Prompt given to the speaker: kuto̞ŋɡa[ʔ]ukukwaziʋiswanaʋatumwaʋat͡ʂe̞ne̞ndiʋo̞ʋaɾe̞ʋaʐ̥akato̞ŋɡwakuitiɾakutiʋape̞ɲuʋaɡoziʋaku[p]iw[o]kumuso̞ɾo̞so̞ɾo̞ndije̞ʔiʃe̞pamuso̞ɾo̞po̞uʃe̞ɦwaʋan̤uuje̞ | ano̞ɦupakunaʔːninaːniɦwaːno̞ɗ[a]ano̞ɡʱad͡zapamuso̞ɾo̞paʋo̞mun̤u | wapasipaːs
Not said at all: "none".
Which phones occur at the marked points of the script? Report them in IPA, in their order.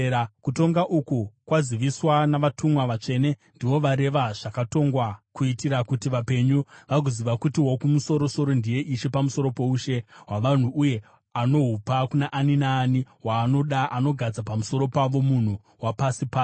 ʔ, t, o, a

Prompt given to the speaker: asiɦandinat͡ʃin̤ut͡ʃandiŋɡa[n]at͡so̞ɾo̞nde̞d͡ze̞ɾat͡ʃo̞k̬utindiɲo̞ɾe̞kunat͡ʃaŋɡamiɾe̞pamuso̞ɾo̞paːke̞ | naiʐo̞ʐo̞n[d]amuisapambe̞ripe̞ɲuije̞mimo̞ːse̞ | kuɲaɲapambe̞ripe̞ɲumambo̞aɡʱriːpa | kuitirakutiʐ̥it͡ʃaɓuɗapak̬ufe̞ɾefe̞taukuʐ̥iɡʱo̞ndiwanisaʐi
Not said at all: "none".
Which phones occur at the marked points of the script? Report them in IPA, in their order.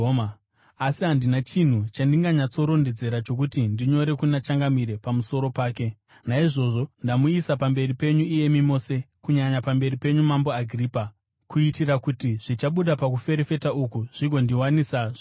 ɲ, d

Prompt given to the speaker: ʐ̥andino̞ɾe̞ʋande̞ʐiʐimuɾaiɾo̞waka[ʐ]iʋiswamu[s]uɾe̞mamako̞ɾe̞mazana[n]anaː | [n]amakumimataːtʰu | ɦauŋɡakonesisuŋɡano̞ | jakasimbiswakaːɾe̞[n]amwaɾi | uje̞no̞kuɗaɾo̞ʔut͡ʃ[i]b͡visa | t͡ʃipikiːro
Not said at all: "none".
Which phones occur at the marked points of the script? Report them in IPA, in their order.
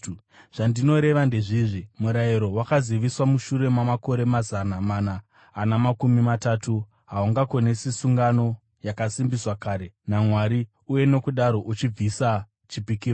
z, ʃ, m, n, n, i

